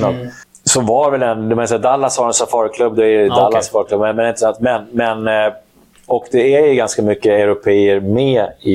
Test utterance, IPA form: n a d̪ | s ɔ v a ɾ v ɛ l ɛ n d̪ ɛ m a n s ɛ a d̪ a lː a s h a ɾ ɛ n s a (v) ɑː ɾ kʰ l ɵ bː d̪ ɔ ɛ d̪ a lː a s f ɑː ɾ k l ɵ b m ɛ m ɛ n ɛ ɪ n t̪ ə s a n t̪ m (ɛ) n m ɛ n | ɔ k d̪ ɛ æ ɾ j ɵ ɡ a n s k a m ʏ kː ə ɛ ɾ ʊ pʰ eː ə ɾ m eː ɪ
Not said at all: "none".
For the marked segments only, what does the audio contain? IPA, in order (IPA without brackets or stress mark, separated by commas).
f, ɛ